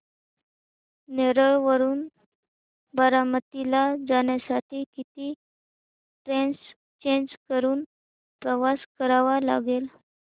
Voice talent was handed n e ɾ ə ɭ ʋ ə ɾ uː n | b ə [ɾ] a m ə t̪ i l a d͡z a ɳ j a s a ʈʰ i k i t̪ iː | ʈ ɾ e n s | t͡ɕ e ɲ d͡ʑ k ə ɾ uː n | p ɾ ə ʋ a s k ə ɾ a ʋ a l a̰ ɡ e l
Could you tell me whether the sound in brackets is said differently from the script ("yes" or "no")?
no